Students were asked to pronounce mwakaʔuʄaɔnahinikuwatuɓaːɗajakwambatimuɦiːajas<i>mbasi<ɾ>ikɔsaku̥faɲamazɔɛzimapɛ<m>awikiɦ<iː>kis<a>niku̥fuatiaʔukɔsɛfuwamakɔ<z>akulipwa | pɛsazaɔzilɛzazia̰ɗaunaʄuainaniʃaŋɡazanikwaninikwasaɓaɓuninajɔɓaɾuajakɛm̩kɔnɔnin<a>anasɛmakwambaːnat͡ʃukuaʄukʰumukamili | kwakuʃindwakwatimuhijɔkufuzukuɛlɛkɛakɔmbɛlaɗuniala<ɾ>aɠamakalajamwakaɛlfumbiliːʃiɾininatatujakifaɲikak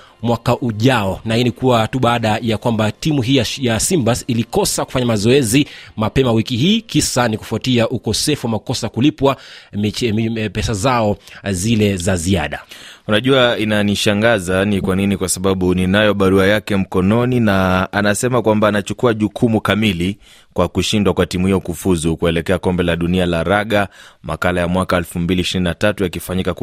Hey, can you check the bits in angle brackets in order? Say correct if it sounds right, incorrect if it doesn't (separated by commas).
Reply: correct, incorrect, correct, correct, correct, incorrect, correct, correct